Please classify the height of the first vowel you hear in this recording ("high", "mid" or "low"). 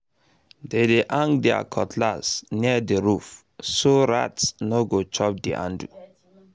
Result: mid